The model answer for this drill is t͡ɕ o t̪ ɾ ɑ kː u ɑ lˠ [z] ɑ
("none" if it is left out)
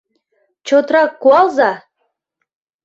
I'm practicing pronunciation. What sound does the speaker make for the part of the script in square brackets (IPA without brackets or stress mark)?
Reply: z